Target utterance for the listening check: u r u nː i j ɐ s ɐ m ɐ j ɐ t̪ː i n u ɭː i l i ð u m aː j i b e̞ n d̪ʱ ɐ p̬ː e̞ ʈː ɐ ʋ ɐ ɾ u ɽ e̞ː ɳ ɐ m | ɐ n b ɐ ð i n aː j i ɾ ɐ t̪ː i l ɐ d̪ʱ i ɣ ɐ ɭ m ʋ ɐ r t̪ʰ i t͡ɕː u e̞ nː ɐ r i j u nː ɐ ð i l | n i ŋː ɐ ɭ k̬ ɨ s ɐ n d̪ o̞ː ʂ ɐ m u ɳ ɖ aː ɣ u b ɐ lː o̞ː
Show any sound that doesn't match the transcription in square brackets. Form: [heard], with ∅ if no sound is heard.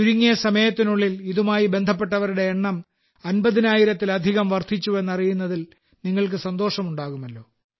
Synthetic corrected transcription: u [ɾ] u [ŋː] i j ɐ s ɐ m ɐ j ɐ t̪ː i n u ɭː i l i ð u m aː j i b e̞ n d̪ʱ ɐ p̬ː e̞ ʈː ɐ ʋ ɐ ɾ u ɽ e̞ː [ɳː] ɐ m | ɐ n b ɐ ð i n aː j i ɾ ɐ t̪ː i l ɐ d̪ʱ i ɣ ɐ [∅] m ʋ ɐ r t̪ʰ i t͡ɕː u e̞ nː ɐ r i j u nː ɐ ð i l | n i ŋː ɐ ɭ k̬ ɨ s ɐ n d̪ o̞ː ʂ ɐ m u ɳ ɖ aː ɣ u [m] ɐ lː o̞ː